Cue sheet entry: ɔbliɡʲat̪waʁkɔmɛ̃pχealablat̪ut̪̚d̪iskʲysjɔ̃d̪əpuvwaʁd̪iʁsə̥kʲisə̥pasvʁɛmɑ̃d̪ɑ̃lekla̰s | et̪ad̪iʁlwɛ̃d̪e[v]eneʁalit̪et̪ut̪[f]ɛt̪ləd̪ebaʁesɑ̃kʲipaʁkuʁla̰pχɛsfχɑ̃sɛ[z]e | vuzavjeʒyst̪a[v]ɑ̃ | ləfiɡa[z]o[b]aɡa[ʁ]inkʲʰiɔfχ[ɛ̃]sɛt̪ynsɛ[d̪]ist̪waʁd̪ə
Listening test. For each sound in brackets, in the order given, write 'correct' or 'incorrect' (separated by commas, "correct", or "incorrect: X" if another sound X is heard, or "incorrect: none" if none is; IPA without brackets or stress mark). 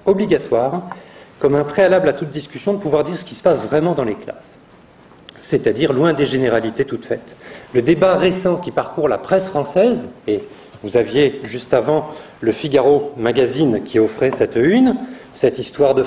incorrect: ʒ, correct, correct, correct, incorrect: ʁ, incorrect: m, incorrect: z, incorrect: ɛ, incorrect: t̪